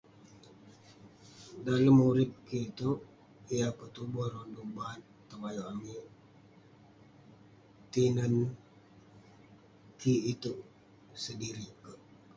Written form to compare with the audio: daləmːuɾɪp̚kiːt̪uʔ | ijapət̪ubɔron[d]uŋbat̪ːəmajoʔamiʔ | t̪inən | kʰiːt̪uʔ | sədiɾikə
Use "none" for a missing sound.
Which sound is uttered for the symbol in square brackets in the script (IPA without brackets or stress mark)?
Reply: d